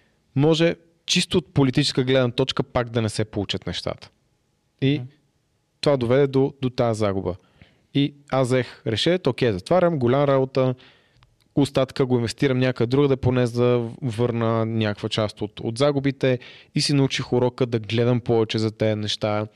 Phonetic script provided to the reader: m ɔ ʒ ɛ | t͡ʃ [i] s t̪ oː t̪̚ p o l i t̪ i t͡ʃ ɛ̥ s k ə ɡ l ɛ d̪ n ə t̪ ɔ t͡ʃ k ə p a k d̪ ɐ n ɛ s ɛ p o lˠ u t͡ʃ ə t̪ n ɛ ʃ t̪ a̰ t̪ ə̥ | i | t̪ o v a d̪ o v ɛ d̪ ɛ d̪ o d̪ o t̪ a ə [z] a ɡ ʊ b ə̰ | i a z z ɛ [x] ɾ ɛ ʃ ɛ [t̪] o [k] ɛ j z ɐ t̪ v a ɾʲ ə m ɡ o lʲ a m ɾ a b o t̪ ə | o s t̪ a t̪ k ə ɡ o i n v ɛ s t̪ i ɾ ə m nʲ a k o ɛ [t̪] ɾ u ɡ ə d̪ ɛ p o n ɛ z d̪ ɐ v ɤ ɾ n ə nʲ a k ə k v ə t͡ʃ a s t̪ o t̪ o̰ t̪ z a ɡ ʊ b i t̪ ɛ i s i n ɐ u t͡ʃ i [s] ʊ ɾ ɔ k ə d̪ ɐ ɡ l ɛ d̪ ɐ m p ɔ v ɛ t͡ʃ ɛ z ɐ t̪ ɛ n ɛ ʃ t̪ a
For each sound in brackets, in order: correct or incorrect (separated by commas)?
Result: correct, correct, correct, correct, correct, incorrect, incorrect